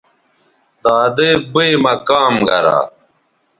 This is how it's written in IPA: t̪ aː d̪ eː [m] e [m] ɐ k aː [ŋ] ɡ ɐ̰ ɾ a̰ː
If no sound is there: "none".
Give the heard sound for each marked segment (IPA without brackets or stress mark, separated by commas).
b, m, m